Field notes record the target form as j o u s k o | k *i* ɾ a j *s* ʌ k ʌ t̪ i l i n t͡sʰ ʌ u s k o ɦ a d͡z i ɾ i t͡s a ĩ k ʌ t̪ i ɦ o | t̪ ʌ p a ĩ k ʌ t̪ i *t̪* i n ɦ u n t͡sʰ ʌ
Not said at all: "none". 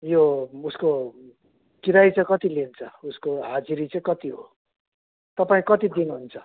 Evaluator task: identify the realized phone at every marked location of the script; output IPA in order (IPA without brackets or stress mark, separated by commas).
i, t͡s, d̪